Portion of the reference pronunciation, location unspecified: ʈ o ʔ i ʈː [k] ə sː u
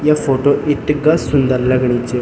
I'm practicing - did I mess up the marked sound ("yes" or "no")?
yes